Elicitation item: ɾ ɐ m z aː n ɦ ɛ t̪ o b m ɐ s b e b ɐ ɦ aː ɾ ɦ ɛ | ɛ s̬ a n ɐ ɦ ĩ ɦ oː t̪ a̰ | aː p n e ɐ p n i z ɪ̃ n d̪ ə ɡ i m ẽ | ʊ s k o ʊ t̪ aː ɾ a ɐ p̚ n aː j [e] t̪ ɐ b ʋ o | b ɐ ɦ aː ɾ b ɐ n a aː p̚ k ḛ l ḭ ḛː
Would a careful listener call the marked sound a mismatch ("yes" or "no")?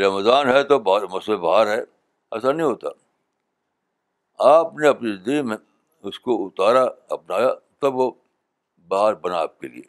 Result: yes